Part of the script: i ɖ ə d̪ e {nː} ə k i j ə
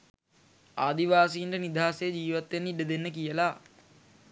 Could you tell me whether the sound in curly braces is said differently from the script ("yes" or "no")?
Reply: no